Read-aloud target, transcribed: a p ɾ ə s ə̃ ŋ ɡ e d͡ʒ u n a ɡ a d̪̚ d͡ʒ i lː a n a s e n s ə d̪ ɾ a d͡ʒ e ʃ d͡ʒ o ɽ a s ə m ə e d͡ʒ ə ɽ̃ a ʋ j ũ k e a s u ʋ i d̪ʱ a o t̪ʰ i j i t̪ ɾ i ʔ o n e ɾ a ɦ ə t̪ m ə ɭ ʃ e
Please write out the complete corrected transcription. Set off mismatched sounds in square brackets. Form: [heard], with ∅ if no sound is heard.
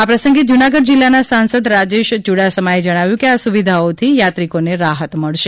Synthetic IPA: a p ɾ ə s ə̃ ŋ ɡ e d͡ʒ u n a ɡ [ə] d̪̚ d͡ʒ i lː a n a s [a] n s ə d̪ ɾ a d͡ʒ e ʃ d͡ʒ [u] ɽ a s ə m [a] e d͡ʒ ə ɽ̃ a ʋ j ũ k e a s u ʋ i d̪ʱ a o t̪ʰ i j [a] t̪ ɾ i [k] o n e ɾ a ɦ ə t̪ m ə ɭ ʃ e